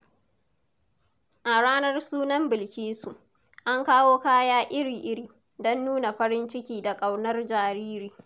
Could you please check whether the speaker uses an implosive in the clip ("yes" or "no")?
no